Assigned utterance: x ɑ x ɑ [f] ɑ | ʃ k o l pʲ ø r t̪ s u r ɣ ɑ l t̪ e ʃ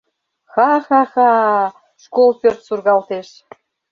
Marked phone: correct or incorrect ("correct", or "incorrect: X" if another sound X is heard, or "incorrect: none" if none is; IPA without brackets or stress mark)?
incorrect: x